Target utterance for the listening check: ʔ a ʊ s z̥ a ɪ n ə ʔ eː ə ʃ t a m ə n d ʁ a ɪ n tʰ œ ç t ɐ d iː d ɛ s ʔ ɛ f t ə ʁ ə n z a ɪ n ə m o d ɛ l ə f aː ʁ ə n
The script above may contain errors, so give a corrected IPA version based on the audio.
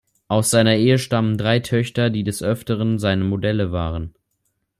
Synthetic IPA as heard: ʔ a ʊ s z̥ a ɪ n ɐ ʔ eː ə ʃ t a m ə n d ʁ a ɪ tʰ œ ç t ɐ d iː d ɛ s ʔ œ f t ə ʁ ə n z a ɪ n ə m o d ɛ l ə v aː ʁ ə n